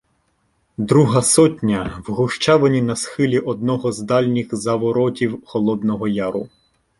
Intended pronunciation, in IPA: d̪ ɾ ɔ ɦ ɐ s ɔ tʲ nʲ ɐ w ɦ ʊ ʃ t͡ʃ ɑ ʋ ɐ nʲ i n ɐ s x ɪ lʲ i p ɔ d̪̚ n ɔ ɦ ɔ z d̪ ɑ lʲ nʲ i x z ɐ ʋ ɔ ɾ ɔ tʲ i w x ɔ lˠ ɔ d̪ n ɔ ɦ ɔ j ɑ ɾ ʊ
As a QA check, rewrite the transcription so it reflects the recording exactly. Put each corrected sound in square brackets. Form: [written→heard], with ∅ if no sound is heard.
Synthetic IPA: d̪ ɾ [ɔ→u] ɦ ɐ s ɔ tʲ nʲ ɐ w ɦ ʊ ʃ t͡ʃ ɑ ʋ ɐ nʲ i n ɐ s x ɪ lʲ i [p→ʔ] ɔ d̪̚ n ɔ ɦ ɔ z d̪ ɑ lʲ nʲ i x z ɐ ʋ ɔ ɾ ɔ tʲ i w x ɔ lˠ ɔ d̪ n ɔ ɦ ɔ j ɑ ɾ ʊ